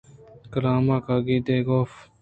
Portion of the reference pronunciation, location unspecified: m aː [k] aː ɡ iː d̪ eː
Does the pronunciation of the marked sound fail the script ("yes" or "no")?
no